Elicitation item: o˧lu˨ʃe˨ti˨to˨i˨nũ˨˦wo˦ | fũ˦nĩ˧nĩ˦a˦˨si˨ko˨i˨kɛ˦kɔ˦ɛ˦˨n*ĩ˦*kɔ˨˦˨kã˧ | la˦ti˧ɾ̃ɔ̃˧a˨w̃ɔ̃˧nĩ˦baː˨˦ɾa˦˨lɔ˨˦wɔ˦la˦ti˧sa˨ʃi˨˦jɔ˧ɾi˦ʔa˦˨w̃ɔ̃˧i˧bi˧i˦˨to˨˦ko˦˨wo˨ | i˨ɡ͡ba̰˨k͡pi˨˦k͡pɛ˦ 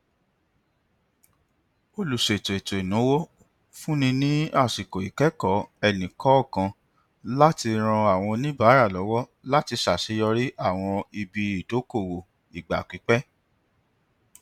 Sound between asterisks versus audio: incorrect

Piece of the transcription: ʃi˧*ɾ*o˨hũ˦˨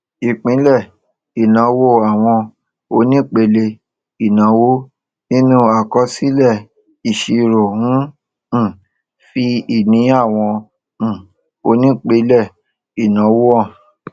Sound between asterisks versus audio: correct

